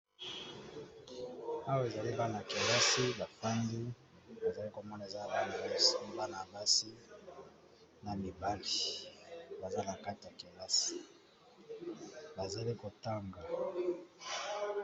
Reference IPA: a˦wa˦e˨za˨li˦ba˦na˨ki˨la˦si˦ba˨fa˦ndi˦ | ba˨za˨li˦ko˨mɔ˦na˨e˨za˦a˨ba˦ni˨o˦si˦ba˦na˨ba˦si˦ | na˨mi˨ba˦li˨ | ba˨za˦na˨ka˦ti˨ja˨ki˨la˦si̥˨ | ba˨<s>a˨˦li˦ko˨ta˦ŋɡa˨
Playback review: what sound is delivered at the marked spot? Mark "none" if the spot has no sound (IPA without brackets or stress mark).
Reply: z